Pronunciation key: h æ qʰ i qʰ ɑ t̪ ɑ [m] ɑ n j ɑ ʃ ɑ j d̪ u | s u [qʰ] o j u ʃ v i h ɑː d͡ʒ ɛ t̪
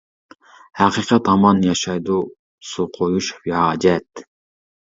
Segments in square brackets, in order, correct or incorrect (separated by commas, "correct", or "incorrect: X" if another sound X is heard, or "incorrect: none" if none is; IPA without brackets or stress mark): correct, correct